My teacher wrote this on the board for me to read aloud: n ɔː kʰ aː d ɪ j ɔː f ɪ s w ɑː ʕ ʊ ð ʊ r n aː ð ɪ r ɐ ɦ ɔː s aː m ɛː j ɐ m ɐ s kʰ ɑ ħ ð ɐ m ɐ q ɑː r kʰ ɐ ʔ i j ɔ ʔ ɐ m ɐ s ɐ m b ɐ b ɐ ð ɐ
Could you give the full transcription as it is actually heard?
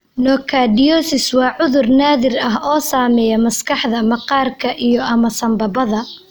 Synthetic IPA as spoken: n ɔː kʰ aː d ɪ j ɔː s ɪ s w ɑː ʕ ʊ ð ʊ r n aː ð ɪ r ɐ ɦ ɔː s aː m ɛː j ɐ m ɐ s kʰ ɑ ħ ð ɐ m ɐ q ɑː r kʰ ɐ ʔ i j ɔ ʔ ɐ m ɐ s ɐ m b ɐ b ɐ ð ɐ